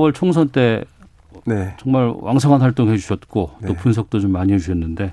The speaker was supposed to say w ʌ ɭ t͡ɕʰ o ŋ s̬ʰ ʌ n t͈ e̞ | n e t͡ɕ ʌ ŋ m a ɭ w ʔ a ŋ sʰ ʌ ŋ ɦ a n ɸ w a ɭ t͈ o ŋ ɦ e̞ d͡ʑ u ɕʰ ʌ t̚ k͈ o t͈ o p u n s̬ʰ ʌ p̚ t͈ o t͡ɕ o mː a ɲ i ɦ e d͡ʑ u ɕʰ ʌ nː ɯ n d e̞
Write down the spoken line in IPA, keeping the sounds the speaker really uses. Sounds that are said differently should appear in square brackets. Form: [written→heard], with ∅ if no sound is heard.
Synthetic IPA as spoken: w ʌ ɭ t͡ɕʰ o ŋ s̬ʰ ʌ n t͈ e̞ | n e t͡ɕ ʌ ŋ m a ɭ w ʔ a ŋ sʰ ʌ ŋ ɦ a n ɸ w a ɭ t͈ o ŋ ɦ e̞ d͡ʑ u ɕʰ ʌ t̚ k͈ o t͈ o p u n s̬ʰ ʌ [p̚→k̚] t͈ o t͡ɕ o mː a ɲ i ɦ e d͡ʑ u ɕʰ ʌ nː ɯ n d e̞